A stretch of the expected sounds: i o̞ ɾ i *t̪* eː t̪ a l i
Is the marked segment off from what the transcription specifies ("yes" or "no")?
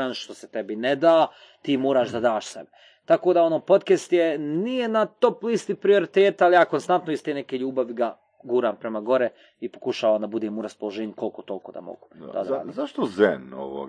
no